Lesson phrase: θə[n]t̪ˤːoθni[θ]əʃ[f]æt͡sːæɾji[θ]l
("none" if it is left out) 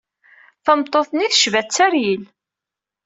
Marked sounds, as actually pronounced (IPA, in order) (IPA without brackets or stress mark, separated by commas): m, θ, v, none